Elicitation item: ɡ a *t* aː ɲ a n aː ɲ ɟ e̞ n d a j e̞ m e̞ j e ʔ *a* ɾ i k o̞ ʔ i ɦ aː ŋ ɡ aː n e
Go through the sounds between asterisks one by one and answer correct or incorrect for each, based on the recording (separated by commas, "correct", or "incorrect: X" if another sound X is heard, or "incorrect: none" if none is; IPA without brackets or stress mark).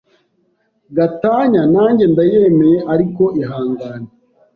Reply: correct, correct